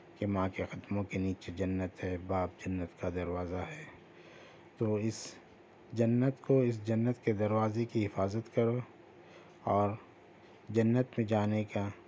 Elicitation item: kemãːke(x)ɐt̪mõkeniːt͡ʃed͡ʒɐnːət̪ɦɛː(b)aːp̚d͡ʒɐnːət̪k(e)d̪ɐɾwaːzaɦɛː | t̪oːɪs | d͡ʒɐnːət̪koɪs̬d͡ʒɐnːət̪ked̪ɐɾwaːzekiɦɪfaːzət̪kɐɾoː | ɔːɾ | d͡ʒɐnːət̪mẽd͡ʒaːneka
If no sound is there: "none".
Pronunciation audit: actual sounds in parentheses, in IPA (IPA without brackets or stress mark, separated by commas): x, b, a